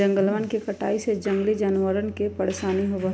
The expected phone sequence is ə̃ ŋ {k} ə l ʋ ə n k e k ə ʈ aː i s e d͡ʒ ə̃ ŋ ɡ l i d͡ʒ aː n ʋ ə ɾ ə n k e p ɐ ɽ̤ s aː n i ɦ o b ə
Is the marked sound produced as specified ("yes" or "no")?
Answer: no